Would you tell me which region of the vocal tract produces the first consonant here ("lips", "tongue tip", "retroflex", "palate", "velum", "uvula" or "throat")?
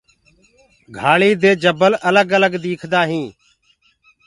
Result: velum